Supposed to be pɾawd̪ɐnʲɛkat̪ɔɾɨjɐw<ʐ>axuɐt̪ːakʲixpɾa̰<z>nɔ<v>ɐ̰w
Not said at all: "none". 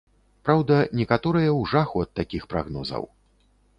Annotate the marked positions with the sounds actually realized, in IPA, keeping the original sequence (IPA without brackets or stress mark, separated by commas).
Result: ʐ, ɣ, z